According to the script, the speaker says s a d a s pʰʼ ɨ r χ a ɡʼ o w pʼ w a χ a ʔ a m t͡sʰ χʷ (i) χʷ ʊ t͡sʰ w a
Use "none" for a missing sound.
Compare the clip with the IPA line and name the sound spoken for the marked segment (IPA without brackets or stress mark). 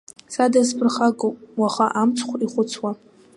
i